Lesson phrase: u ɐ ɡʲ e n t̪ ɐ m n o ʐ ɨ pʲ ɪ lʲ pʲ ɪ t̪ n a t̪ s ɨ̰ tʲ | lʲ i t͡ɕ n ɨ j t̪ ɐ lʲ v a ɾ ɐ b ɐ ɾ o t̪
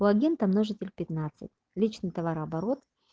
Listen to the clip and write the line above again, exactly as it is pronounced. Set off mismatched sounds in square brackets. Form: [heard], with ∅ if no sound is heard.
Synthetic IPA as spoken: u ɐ ɡʲ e n t̪ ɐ m n o ʐ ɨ [tʲ] ɪ lʲ pʲ ɪ t̪ n a t̪ s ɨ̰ tʲ | lʲ i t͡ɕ n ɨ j t̪ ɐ [∅] v a ɾ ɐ b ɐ ɾ o t̪